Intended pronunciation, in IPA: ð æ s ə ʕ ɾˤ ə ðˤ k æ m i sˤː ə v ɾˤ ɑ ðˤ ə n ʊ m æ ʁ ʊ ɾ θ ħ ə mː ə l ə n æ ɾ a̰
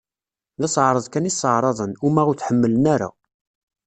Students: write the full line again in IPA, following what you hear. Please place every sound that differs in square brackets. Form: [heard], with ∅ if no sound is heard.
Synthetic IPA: ð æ s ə ʕ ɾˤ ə ðˤ k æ [n] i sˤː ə [ʕ] ɾˤ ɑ ðˤ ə n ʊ m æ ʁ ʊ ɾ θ ħ ə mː ə l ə n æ ɾ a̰